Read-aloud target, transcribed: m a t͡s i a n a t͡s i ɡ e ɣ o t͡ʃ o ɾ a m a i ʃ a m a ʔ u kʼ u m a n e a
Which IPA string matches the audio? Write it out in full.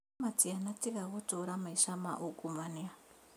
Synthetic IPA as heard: m a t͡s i a n a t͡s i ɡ a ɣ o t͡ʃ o ɾ a m a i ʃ a m a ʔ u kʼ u m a n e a